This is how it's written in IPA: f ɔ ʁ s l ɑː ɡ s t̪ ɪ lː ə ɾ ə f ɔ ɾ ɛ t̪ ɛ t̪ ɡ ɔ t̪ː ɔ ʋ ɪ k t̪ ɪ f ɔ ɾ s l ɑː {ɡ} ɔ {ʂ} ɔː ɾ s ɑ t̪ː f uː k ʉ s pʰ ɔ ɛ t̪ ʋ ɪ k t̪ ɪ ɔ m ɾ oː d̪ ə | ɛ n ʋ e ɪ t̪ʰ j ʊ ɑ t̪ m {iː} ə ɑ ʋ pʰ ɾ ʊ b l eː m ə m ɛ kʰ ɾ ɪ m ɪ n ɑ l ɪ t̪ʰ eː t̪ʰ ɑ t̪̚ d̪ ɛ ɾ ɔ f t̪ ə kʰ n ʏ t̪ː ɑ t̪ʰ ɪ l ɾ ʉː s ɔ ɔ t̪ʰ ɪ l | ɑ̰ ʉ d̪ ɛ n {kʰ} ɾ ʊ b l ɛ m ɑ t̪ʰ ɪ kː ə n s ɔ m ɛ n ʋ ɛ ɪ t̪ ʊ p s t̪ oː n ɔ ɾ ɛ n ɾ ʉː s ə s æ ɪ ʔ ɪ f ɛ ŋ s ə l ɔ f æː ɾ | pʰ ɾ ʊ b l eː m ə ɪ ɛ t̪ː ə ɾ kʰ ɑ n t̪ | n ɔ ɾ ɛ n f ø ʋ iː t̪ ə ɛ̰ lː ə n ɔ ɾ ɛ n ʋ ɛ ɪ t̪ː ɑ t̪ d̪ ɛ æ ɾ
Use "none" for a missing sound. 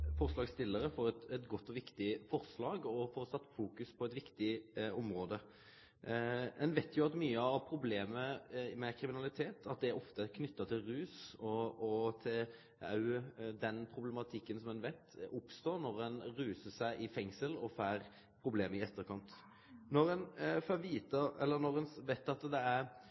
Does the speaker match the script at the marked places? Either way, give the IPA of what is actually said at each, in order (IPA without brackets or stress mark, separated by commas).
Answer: ɡ, f, yː, pʰ